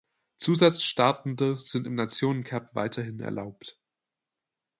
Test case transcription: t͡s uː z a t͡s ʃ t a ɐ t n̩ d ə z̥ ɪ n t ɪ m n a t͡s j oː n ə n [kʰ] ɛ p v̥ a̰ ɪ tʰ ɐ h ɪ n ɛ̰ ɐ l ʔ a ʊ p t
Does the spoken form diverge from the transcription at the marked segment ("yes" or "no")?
no